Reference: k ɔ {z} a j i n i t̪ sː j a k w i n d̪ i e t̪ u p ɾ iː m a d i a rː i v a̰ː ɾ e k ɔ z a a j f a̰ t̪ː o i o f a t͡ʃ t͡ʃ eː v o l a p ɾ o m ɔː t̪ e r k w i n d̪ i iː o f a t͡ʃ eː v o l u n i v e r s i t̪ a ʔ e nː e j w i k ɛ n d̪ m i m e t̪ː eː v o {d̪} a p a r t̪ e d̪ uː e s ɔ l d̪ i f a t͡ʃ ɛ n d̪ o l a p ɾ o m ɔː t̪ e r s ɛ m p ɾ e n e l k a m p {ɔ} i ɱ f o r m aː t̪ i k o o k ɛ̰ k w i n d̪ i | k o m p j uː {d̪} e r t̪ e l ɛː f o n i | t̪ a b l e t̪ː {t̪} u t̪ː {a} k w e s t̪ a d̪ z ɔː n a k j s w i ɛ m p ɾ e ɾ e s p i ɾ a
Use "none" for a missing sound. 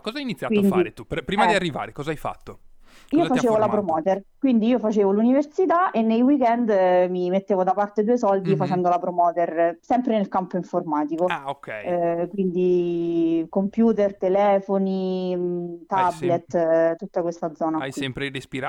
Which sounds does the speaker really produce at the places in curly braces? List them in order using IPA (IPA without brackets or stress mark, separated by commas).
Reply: z, d̪, o, t̪, t̪, a